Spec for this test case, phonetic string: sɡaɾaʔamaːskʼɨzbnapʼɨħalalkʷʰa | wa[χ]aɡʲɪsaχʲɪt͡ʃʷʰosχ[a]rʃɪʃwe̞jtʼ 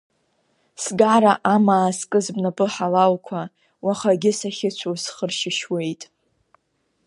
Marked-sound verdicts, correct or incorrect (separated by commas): correct, incorrect